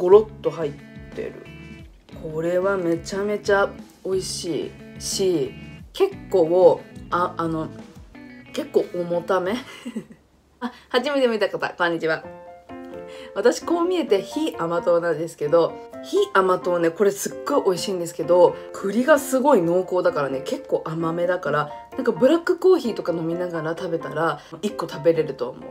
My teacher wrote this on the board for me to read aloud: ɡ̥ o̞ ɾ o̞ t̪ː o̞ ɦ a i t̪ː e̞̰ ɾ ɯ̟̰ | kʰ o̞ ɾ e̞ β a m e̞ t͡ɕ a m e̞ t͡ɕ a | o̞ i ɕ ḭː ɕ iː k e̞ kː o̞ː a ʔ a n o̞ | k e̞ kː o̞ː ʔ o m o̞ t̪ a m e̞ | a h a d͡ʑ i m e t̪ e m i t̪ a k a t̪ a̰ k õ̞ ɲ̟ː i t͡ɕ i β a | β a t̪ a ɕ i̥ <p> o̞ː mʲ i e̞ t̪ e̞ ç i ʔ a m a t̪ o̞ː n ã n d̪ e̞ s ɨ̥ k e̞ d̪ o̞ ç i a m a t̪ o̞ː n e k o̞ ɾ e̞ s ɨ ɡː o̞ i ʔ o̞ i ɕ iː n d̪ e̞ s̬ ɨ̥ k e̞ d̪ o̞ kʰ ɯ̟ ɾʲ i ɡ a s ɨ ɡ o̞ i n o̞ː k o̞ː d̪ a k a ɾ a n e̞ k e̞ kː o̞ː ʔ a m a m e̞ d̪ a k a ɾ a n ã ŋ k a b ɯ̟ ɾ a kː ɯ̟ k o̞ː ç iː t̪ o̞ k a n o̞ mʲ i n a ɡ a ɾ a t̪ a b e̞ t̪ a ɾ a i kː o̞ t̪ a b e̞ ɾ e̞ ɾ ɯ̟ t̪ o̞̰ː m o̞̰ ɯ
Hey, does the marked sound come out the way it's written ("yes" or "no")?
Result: no